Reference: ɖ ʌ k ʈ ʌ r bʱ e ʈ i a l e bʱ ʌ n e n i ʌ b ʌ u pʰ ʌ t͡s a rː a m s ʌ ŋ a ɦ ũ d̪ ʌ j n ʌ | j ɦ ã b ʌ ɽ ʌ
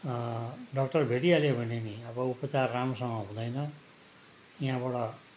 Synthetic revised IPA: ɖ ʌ k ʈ ʌ r bʱ e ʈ i a l e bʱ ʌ n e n i ʌ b ʌ u p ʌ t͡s a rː a m s ʌ ŋ ʌ ɦ ũ d̪ ʌ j n ʌ | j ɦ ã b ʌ ɽ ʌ